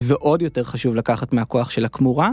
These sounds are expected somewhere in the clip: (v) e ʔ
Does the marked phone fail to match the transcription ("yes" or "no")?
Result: no